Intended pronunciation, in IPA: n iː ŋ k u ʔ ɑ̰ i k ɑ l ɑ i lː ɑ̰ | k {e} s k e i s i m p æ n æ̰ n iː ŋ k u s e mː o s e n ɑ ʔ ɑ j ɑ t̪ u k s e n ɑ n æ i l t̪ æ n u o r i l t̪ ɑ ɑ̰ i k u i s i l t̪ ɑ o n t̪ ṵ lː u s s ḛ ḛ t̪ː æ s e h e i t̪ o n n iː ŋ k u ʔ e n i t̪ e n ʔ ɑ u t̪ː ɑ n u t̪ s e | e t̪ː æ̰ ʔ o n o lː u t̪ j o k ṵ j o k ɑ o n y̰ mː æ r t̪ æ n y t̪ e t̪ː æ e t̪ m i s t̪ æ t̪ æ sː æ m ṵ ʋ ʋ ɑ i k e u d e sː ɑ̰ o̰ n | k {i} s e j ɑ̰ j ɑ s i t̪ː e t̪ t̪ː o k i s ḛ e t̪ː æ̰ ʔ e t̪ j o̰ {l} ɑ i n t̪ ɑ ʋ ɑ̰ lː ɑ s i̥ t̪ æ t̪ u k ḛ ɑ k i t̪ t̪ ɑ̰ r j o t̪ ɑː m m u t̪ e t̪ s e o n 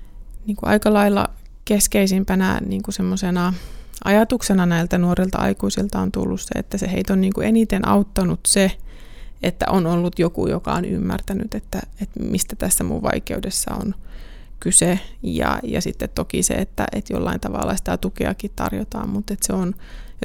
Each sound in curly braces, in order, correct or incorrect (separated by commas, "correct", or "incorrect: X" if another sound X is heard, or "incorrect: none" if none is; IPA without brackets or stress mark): correct, incorrect: y, incorrect: lː